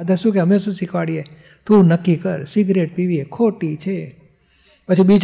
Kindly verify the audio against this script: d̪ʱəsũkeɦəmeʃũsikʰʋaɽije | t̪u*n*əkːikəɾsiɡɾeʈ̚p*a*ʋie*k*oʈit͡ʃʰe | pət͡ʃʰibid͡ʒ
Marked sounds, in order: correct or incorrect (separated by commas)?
correct, incorrect, incorrect